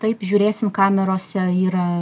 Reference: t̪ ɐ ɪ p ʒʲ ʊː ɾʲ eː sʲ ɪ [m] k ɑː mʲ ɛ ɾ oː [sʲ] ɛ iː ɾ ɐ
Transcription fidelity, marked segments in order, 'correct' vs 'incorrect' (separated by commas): correct, correct